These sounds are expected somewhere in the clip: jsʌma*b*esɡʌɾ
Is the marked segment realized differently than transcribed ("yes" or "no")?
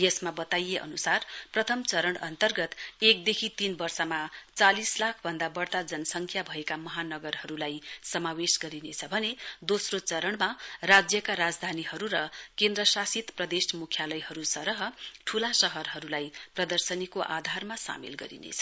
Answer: yes